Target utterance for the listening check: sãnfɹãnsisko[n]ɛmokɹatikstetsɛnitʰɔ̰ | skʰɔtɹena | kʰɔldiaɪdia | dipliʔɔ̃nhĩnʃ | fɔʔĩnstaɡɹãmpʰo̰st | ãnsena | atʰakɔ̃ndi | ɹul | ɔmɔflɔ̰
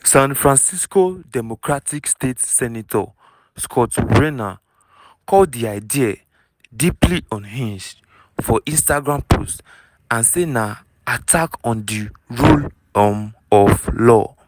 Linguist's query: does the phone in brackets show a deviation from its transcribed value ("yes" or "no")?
yes